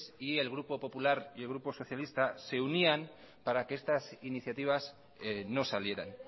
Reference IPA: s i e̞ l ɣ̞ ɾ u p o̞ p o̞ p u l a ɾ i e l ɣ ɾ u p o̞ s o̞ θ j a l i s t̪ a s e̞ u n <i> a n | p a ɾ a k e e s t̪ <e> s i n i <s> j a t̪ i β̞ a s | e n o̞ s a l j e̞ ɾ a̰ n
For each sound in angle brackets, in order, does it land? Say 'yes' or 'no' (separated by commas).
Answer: yes, no, no